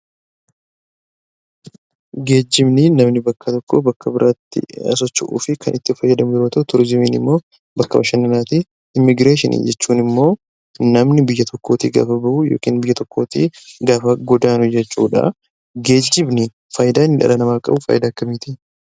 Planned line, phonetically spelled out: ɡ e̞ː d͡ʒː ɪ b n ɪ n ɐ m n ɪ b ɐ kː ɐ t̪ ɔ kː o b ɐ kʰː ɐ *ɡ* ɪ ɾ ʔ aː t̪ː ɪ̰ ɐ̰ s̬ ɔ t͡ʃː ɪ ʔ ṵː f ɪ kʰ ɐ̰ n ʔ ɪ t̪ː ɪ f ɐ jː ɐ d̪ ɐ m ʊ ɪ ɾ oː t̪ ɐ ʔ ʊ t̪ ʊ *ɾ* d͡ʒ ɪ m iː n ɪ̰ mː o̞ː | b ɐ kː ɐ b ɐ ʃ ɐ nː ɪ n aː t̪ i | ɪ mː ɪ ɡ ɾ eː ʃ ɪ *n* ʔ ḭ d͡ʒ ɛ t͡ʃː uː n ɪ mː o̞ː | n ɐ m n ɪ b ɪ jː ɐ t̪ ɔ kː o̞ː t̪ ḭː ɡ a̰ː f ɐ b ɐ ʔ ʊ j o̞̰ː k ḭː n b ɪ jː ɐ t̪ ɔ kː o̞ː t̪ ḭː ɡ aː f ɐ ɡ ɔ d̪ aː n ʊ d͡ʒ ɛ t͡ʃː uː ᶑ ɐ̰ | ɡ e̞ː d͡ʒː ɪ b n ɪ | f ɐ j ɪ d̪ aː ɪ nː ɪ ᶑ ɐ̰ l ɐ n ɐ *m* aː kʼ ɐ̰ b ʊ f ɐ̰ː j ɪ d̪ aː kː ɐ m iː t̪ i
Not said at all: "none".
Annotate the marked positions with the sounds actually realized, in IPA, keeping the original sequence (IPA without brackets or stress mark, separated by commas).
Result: b, ɾ, n, m